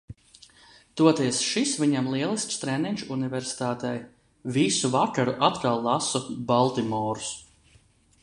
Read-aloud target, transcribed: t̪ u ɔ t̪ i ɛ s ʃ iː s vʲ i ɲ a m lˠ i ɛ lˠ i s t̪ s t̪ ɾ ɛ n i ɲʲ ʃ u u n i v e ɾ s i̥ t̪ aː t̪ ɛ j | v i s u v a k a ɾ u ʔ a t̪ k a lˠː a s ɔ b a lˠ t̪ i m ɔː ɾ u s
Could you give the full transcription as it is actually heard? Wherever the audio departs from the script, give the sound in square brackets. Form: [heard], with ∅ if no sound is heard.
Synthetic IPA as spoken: t̪ u ɔ t̪ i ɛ s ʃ [i] s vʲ i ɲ a m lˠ i ɛ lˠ i s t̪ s t̪ ɾ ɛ n i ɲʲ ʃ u u n i v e ɾ s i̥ t̪ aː t̪ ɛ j | v i s u v a k a ɾ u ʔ a t̪ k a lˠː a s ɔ b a lˠ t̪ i m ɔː ɾ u s